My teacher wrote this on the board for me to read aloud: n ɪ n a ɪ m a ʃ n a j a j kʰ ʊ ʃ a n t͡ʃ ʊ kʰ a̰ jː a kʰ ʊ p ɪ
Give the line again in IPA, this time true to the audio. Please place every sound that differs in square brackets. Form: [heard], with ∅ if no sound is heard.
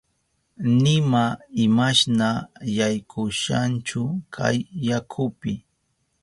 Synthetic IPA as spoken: n ɪ [m] a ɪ m a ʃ n a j a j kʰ ʊ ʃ a n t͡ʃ ʊ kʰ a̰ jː a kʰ ʊ p ɪ